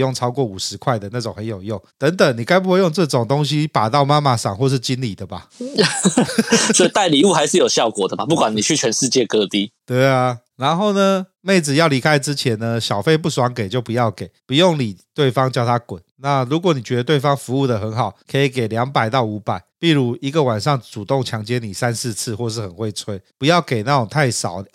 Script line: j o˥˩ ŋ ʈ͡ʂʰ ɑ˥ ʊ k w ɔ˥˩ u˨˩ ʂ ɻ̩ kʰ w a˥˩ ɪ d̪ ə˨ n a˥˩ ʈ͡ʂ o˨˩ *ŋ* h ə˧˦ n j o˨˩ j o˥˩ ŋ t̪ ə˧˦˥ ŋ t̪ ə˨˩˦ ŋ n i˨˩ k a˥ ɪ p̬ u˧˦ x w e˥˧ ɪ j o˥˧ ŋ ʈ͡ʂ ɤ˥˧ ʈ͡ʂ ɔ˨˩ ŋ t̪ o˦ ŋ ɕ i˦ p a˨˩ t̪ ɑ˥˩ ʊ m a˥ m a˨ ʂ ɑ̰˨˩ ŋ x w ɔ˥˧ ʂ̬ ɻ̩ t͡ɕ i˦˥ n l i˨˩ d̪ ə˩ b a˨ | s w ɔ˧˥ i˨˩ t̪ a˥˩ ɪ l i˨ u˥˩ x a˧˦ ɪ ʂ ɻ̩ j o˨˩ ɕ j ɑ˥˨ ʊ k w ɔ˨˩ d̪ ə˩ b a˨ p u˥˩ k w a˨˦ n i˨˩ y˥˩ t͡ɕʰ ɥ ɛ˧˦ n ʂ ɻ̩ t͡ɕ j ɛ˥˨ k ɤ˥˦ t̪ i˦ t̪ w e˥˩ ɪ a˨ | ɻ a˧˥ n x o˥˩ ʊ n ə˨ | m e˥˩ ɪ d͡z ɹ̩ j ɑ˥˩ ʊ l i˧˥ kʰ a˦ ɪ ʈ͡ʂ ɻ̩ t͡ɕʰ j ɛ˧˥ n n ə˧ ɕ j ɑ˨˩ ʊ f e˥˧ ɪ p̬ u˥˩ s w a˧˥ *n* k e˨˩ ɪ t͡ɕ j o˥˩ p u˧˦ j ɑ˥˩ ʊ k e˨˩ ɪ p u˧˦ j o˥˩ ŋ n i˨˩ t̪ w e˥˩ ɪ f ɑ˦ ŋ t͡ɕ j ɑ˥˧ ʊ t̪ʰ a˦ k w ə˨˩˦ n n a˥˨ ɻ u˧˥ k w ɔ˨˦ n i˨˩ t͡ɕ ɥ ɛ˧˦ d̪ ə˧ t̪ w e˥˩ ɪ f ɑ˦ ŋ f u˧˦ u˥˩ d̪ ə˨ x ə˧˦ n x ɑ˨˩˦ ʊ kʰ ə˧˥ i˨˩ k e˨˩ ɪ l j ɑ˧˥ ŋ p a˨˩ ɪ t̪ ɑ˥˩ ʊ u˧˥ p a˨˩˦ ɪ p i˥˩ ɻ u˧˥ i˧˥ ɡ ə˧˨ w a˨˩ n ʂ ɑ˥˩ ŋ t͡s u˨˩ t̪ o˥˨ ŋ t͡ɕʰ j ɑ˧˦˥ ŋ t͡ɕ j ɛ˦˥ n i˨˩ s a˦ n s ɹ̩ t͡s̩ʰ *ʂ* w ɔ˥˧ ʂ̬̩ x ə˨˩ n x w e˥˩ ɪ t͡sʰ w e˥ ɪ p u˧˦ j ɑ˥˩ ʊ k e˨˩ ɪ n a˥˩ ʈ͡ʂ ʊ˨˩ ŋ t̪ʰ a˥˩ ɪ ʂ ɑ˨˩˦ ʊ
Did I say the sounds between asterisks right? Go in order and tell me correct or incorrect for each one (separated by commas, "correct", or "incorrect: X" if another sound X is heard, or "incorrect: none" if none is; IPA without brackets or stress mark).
correct, incorrect: ŋ, incorrect: x